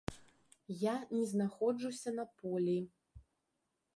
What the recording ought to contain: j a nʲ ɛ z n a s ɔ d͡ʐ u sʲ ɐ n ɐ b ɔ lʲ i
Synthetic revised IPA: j a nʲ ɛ z n a x ɔ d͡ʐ u sʲ ɐ n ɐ p ɔ lʲ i

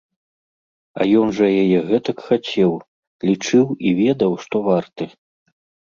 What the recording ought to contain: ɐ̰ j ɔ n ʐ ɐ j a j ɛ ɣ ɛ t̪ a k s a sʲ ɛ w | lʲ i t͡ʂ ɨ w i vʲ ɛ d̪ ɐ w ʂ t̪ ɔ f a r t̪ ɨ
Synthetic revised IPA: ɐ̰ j ɔ n ʐ ɐ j a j ɛ ɣ ɛ t̪ ɐ k x a t͡sʲ ɛ w | lʲ i t͡ʂ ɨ w i vʲ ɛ d̪ ɐ w ʂ t̪ ɔ v a r t̪ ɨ

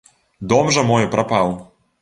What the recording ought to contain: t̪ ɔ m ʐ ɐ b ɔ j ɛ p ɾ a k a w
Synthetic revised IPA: d̪ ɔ m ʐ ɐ m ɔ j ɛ p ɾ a p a w

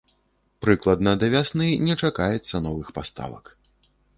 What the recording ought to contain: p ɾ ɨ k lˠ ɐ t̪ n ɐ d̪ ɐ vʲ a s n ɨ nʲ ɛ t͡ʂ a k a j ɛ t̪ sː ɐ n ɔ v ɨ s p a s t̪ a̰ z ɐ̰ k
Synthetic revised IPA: p ɾ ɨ k lˠ ɐ d̪ n ɐ d̪ ɐ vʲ a s n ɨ nʲ ɛ t͡ʂ a k a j ɛ t̪ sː ɐ n ɔ v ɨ x p a s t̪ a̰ v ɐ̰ k

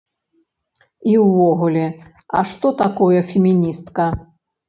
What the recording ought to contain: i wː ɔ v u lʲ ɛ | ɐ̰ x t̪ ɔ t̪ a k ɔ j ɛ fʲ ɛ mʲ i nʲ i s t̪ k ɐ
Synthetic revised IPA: i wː ɔ ɣ u lʲ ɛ | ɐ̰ ʂ t̪ ɔ t̪ a k ɔ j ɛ fʲ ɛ mʲ i nʲ i s t̪ k ɐ

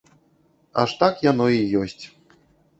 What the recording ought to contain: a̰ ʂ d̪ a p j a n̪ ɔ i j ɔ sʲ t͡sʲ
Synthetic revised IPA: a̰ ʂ t̪ a k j a n̪ ɔ i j ɔ sʲ t͡sʲ

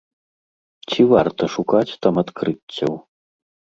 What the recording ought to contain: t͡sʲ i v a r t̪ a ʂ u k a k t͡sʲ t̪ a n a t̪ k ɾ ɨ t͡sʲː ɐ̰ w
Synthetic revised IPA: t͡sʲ i v a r t̪ ɐ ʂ u k a t͡sʲ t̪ a m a t̪ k ɾ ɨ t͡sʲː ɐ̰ w

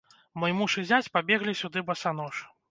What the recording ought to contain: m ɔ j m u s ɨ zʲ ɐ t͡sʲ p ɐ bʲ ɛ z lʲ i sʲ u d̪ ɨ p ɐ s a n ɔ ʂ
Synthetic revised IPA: m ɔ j m u ʂ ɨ zʲ a t͡sʲ p a bʲ ɛ ɣ lʲ i sʲ u d̪ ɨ b ɐ s a n ɔ ʂ

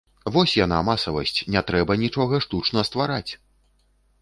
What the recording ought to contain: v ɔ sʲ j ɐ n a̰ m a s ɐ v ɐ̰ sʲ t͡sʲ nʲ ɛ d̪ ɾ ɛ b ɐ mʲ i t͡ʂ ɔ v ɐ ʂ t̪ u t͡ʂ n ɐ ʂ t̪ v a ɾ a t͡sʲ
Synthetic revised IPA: v ɔ sʲ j a n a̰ m a s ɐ v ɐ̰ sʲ t͡sʲ nʲ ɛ t̪ ɾ ɛ b ɐ nʲ i t͡ʂ ɔ ɣ ɐ ʂ t̪ u t͡ʂ n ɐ s t̪ v a ɾ a t͡sʲ

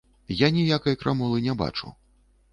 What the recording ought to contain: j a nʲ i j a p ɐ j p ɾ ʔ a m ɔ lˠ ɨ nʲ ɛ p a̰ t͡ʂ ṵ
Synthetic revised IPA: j a nʲ i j a k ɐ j k ɾ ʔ a m ɔ lˠ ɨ nʲ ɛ b a̰ t͡ʂ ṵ

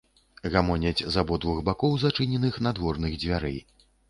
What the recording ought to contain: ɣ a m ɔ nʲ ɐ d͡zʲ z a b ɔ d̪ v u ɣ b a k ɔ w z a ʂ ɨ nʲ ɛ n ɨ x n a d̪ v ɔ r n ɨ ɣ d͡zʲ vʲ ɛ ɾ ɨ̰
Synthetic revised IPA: ɣ a m ɔ nʲ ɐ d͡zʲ z a b ɔ d̪ v u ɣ b a k ɔ w z a t͡ʂ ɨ nʲ ɛ n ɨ x n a d̪ v ɔ r n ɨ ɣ d͡zʲ vʲ a ɾ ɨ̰

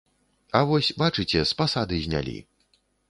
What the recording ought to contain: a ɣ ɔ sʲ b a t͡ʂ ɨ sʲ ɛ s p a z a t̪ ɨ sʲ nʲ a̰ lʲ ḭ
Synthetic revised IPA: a v ɔ sʲ b a t͡ʂ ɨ t͡sʲ ɛ s p a s a d̪ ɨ zʲ nʲ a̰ lʲ ḭ

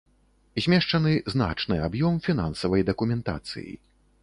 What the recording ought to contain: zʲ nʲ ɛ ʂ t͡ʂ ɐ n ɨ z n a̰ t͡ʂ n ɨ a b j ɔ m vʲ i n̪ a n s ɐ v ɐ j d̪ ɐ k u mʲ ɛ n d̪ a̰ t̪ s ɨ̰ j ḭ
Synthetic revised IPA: zʲ mʲ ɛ ʂ t͡ʂ ɐ n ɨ z n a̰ t͡ʂ n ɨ a b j ɔ m fʲ i n̪ a n s ɐ v ɐ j d̪ ɐ k u mʲ ɛ n t̪ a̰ t̪ s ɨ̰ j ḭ

